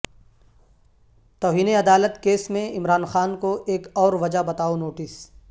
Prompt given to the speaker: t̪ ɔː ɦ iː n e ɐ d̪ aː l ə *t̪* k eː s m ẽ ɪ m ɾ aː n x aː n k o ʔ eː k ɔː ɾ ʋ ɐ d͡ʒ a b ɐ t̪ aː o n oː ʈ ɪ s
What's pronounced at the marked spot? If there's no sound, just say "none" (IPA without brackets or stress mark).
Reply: t̪